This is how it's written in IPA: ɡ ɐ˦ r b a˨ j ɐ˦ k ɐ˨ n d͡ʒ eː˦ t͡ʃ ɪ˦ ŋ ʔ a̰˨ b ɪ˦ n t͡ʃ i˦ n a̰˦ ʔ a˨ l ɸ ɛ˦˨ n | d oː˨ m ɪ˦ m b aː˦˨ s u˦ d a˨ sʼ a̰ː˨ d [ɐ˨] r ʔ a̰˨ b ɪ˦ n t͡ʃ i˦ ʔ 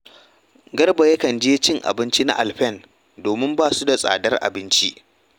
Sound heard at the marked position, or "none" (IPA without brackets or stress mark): ɐ˦